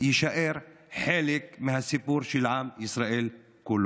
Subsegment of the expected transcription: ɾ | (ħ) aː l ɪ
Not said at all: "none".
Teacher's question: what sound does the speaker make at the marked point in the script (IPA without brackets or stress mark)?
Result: ħ